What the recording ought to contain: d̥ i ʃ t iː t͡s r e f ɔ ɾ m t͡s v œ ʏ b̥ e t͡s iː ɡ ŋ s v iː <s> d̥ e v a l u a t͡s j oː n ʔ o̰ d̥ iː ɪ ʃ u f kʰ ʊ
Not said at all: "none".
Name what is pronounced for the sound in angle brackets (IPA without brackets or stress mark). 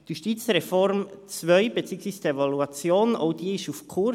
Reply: s